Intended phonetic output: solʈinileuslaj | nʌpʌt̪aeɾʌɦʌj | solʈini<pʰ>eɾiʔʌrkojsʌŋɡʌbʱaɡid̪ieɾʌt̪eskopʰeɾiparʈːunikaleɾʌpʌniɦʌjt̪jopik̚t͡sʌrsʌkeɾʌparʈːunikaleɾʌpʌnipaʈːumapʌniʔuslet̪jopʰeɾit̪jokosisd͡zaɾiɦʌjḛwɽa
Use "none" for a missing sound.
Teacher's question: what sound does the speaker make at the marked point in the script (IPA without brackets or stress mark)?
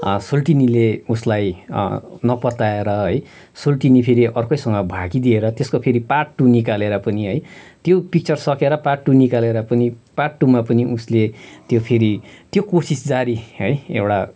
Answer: pʰ